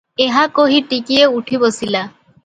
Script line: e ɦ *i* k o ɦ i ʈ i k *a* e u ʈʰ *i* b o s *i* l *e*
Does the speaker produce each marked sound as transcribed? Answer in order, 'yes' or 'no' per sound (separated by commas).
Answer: no, no, yes, yes, no